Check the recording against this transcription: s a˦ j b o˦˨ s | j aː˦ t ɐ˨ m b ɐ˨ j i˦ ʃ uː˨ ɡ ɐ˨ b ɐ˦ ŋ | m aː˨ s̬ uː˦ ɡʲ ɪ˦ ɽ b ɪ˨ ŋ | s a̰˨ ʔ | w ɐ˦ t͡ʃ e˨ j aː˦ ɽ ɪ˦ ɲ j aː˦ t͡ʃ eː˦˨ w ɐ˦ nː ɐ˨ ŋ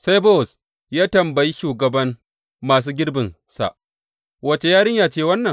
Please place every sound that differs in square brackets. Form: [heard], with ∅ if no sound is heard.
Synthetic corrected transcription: s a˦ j b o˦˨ s | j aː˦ t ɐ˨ m b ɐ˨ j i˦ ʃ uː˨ ɡ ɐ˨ b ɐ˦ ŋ | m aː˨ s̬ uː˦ ɡʲ ɪ˦ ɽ b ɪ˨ [n] | s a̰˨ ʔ | w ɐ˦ t͡ʃ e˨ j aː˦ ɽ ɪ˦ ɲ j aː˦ t͡ʃ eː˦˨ w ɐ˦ nː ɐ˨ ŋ